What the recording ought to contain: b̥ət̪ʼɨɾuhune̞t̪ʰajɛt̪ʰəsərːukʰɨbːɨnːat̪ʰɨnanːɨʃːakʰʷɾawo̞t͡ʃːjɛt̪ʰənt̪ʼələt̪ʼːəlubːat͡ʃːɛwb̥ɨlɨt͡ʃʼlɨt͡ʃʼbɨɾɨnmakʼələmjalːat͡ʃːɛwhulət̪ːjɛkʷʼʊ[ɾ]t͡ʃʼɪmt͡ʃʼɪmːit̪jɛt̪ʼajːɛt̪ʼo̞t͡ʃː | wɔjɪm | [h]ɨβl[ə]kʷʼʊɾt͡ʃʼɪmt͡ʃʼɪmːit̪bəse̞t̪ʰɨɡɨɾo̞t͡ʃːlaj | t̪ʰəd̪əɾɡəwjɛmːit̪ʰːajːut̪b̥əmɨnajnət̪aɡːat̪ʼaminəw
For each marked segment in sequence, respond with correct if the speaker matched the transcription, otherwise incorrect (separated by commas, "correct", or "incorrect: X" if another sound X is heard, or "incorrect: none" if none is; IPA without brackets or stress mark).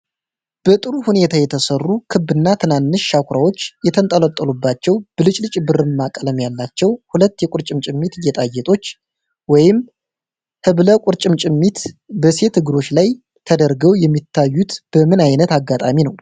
correct, correct, correct